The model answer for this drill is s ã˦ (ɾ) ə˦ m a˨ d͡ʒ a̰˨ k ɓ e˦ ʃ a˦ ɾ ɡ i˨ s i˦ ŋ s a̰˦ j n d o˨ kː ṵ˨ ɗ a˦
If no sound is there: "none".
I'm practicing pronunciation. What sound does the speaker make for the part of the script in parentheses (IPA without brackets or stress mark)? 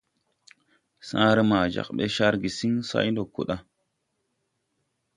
ɾ